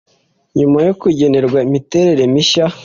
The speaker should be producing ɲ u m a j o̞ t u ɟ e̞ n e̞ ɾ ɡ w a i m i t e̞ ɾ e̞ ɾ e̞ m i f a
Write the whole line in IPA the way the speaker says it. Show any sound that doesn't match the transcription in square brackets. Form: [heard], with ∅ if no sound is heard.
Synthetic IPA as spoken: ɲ u m a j o̞ [k] u ɟ e̞ n e̞ ɾ ɡ w a i m i t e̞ ɾ e̞ ɾ e̞ m i [ʃ] a